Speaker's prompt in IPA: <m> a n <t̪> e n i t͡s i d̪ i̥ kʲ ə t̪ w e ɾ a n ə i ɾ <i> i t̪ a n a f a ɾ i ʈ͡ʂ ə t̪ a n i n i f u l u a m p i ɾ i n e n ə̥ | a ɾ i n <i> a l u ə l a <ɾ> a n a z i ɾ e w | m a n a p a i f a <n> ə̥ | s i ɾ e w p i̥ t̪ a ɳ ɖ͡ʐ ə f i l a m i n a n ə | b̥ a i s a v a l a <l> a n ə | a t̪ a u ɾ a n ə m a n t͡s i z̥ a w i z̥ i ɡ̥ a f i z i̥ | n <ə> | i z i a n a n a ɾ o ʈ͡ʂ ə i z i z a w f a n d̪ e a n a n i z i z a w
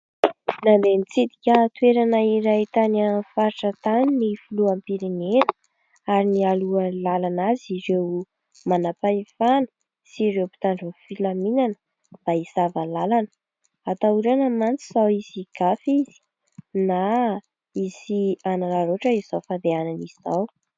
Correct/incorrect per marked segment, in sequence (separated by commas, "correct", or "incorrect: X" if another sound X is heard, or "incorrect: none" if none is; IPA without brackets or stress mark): incorrect: n, incorrect: d̪, incorrect: a, correct, incorrect: l, correct, correct, incorrect: a